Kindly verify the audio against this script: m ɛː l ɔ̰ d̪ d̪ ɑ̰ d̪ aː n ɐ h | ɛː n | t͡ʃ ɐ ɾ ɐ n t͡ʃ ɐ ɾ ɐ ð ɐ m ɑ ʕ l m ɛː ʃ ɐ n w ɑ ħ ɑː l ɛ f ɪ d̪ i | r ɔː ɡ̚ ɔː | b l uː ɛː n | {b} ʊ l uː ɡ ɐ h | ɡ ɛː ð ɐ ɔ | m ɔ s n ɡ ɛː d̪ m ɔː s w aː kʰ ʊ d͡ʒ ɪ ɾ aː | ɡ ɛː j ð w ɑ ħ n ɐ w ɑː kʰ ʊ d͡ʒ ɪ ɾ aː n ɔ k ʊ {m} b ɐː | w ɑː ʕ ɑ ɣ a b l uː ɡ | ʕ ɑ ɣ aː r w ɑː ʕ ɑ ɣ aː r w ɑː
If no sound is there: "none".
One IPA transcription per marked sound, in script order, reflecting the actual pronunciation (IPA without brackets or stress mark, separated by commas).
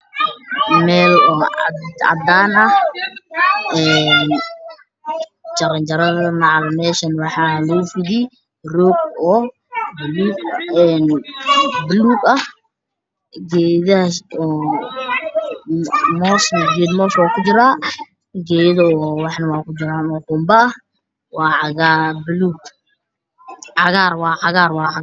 b, m